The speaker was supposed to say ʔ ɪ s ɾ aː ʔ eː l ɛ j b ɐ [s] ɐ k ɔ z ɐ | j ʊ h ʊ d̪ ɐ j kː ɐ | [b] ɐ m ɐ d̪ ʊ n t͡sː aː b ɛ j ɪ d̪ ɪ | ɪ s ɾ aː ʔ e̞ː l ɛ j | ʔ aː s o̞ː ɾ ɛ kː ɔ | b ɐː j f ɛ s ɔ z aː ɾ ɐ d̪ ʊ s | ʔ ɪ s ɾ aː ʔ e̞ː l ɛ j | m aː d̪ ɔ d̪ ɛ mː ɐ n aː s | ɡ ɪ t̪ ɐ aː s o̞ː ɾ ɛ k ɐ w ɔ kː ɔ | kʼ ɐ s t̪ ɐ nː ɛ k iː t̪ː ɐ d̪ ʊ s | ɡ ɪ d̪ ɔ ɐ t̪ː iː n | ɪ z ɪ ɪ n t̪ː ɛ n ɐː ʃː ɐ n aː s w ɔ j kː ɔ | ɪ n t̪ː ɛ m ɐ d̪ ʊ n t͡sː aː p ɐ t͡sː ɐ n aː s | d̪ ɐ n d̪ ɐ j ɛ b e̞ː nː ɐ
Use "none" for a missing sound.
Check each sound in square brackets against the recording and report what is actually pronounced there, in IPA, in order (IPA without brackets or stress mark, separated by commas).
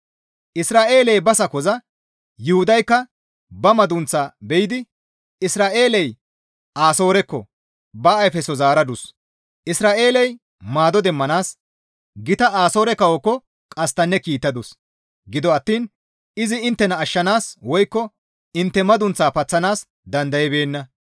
s, b